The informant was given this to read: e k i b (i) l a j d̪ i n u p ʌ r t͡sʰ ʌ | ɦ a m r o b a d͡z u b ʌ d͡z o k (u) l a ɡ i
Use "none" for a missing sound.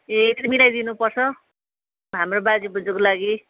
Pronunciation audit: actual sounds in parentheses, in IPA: i, o

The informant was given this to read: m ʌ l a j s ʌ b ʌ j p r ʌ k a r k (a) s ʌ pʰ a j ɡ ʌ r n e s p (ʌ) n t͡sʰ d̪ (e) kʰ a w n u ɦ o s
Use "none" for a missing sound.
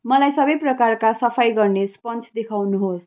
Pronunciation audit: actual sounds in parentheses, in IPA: a, ʌ, e

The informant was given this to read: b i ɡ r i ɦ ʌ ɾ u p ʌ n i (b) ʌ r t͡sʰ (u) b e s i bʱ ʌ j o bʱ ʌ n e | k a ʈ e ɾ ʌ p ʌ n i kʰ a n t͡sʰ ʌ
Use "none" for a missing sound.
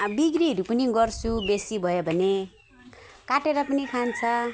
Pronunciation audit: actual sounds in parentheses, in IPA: ɡ, u

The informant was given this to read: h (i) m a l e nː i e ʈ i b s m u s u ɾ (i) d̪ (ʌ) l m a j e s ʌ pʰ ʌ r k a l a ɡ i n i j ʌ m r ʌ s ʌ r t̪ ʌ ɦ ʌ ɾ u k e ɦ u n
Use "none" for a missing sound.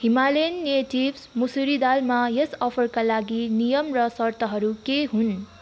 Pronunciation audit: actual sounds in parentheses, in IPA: i, i, a

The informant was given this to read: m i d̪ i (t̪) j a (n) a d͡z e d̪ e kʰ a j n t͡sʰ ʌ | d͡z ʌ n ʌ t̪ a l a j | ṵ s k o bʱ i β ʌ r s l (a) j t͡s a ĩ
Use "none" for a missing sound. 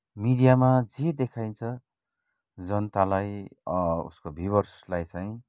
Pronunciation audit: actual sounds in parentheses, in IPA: none, m, a

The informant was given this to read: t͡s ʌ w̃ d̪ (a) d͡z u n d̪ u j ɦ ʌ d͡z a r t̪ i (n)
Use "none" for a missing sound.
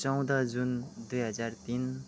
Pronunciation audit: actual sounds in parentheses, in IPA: ʌ, n

